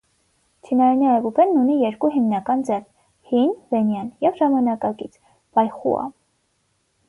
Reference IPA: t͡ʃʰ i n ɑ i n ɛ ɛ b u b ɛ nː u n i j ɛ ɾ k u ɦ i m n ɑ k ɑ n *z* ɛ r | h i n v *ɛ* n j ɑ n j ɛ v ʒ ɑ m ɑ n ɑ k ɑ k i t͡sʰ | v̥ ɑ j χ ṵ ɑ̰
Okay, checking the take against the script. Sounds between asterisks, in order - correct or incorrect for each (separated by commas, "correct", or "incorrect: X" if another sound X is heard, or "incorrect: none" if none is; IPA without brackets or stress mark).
incorrect: d͡z, correct